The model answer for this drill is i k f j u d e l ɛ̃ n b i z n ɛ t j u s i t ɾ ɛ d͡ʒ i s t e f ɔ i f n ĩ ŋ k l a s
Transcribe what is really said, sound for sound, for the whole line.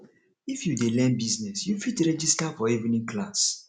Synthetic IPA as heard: i f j u d e l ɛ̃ n b i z n ɛ s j u f i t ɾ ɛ d͡ʒ i s t a f ɔ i v n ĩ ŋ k l a s